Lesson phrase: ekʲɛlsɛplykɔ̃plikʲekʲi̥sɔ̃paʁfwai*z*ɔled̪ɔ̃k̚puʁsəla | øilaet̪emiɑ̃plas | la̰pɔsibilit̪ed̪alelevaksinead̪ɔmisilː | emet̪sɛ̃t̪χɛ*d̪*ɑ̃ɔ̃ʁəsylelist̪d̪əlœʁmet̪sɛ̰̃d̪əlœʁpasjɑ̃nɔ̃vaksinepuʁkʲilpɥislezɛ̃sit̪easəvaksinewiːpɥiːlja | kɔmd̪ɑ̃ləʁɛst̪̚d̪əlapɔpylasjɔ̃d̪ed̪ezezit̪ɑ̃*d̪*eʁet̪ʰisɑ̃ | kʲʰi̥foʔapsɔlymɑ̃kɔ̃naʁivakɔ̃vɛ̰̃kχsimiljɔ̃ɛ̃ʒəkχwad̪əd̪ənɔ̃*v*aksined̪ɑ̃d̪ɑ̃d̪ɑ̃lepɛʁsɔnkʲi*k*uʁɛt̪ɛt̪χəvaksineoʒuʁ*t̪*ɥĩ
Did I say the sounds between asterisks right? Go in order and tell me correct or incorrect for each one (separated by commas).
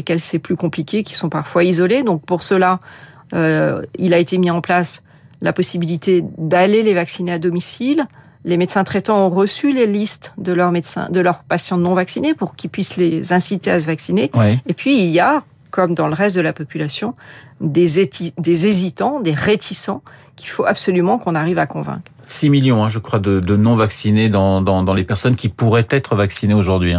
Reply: correct, incorrect, correct, correct, incorrect, incorrect